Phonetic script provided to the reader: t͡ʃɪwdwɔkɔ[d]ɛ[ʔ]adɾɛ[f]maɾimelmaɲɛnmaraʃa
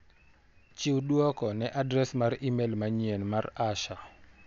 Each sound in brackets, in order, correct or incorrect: incorrect, correct, incorrect

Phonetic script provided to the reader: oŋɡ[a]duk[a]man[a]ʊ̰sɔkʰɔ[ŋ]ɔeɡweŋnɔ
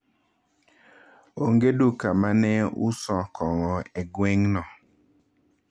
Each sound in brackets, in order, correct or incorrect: incorrect, correct, incorrect, correct

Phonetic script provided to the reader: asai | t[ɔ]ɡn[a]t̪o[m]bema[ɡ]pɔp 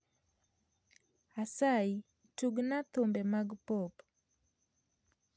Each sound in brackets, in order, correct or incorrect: incorrect, correct, correct, correct

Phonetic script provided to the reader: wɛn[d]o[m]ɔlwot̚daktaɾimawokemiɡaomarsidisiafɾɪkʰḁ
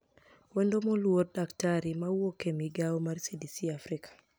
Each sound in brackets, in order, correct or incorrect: correct, correct

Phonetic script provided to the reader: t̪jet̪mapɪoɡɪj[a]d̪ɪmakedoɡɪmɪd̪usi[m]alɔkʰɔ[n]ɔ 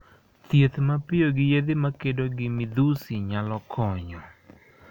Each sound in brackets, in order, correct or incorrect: incorrect, incorrect, incorrect

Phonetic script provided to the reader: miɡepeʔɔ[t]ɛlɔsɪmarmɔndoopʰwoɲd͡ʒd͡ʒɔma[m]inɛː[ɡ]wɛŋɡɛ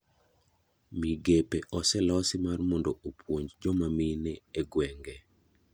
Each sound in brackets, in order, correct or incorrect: incorrect, correct, correct

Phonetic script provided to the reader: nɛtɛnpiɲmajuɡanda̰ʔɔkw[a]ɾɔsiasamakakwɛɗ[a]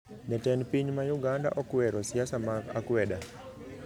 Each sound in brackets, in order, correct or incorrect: incorrect, correct

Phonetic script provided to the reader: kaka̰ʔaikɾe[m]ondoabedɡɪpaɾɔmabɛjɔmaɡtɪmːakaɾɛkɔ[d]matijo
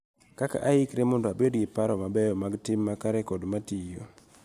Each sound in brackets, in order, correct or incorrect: correct, correct

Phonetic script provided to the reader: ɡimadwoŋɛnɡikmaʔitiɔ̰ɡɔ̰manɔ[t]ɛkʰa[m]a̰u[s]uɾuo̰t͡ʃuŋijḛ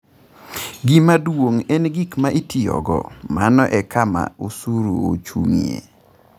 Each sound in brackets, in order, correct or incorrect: incorrect, correct, correct

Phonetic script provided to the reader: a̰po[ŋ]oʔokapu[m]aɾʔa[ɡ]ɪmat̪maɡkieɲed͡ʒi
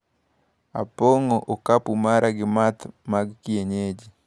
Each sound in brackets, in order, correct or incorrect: correct, correct, correct

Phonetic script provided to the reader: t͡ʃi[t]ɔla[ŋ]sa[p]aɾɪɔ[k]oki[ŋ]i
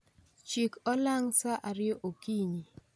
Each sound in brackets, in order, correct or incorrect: incorrect, correct, incorrect, incorrect, incorrect

